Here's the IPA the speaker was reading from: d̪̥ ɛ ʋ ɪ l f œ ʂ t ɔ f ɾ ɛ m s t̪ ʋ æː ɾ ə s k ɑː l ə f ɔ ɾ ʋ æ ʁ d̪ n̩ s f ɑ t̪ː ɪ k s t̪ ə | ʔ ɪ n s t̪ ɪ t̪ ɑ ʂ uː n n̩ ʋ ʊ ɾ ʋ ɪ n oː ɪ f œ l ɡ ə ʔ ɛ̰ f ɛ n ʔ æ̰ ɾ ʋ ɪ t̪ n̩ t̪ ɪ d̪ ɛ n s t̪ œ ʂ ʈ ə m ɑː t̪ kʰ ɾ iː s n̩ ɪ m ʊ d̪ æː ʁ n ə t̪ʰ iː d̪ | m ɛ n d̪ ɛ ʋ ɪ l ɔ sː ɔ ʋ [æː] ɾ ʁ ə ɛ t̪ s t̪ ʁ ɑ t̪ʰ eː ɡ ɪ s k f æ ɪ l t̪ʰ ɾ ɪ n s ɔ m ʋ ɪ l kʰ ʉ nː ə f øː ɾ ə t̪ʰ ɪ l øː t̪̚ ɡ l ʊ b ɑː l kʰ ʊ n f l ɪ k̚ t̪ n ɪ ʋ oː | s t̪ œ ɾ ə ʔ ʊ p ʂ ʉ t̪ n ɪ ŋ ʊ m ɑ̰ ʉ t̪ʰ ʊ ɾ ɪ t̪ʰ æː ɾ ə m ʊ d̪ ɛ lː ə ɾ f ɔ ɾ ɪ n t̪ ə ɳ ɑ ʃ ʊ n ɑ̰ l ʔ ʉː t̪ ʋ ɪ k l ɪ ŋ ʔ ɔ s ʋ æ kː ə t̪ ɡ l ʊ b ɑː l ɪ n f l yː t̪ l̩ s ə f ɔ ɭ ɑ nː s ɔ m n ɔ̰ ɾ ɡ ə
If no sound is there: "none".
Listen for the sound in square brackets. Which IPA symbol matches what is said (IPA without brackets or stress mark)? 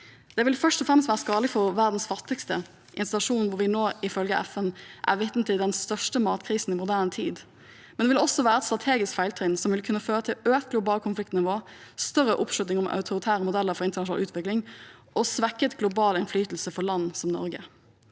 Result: æː